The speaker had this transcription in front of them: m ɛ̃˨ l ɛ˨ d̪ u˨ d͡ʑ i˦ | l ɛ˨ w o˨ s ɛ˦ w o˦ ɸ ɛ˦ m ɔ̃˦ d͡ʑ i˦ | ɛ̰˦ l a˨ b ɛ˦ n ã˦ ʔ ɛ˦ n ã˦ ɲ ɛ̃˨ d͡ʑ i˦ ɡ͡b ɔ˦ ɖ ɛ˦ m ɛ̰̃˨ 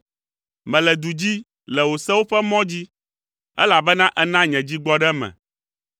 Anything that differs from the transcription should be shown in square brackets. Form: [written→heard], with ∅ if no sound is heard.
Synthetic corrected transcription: m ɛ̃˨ l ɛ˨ d̪ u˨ d͡ʑ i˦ | l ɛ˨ w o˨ s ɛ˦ w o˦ ɸ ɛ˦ m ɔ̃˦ d͡ʑ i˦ | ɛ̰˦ l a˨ b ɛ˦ n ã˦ ʔ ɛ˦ n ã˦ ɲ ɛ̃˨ d͡ʑ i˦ ɡ͡b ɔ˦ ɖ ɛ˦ m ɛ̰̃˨